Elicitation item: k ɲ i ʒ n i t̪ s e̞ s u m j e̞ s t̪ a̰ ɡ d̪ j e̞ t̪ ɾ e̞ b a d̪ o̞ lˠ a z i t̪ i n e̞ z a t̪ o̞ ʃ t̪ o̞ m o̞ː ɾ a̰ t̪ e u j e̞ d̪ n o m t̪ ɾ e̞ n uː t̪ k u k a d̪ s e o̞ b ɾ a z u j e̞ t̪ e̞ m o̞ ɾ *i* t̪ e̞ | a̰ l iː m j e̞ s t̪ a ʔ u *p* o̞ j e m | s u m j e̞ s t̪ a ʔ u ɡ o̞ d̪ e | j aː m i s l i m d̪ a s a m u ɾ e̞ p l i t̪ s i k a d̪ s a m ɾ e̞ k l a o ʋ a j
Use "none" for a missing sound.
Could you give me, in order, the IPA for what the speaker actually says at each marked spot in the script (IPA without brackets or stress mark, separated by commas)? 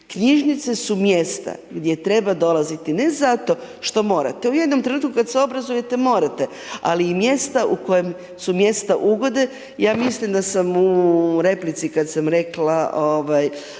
a, k